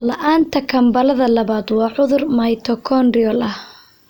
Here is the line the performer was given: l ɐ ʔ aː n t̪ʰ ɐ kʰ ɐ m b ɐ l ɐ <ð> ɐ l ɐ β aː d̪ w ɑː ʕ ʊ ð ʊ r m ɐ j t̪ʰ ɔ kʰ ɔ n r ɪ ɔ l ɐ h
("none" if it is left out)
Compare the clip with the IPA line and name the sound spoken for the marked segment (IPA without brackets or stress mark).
ð